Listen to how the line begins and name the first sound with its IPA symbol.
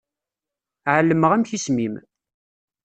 ʕ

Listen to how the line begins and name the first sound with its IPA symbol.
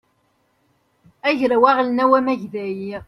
æ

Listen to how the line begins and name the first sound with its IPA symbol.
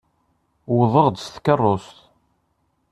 w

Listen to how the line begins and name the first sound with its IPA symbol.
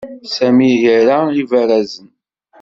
s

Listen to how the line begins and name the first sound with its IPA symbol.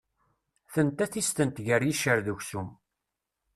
θ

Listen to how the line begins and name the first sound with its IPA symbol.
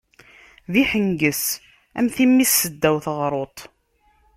ð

